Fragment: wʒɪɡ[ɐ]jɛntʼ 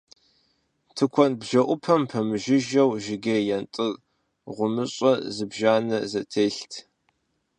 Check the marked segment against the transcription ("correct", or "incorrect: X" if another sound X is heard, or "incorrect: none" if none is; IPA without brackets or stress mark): correct